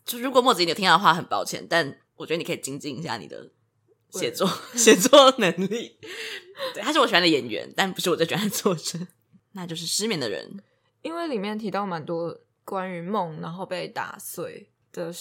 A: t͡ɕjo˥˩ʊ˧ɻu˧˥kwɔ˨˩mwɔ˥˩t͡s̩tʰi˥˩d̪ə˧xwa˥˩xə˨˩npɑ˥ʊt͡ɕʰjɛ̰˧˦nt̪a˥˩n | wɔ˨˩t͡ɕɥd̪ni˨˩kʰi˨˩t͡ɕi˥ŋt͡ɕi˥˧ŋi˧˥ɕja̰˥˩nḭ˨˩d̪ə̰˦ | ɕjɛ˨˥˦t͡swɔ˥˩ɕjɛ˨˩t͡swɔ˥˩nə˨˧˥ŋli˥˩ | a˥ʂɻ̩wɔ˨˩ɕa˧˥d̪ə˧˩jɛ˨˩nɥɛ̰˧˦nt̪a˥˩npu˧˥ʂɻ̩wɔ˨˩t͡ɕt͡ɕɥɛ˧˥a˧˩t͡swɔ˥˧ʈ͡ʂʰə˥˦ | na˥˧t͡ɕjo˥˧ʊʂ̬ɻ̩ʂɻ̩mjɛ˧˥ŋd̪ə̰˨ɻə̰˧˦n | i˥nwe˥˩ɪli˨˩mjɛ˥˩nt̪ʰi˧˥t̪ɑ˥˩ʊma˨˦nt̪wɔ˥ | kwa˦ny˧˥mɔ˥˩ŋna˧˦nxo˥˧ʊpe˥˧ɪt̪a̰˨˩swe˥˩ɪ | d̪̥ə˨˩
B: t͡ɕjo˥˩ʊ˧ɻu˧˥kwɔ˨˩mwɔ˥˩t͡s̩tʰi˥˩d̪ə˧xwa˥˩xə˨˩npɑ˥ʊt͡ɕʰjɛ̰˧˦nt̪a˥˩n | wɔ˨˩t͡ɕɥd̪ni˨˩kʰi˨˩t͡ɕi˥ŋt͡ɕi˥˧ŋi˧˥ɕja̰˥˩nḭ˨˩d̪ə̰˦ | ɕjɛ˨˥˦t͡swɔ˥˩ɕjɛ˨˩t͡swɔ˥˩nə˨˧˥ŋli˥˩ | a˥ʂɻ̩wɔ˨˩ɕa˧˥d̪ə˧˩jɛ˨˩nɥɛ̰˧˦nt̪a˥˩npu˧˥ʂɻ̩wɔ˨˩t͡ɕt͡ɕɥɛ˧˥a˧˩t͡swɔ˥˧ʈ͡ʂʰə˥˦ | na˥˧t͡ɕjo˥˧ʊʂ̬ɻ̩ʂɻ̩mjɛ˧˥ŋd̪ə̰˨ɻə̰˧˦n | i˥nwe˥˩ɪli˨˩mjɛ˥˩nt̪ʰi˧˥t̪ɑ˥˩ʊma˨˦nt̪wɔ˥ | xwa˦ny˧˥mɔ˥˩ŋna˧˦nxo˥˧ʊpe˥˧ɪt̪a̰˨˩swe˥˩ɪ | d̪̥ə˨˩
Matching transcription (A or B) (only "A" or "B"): A